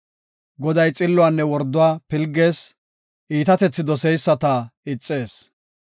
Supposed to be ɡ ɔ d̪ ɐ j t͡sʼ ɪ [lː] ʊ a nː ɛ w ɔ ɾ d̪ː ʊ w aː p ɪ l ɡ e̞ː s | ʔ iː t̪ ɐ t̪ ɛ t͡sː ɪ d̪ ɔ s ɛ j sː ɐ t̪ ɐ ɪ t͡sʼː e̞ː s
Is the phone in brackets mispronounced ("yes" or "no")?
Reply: no